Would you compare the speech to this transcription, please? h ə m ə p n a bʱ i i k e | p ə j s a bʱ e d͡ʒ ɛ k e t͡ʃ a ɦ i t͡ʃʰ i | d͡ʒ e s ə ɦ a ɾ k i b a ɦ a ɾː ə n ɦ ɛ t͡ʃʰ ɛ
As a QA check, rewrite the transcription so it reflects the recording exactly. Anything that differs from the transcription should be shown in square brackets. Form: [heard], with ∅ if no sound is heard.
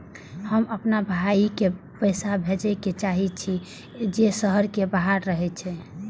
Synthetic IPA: h ə m ə p n a bʱ [a] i k e | p ə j s a bʱ e d͡ʒ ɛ k e t͡ʃ a ɦ i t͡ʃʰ i | d͡ʒ e s ə ɦ [ə] ɾ k [e] b a ɦ a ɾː ə [∅] ɦ ɛ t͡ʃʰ ɛ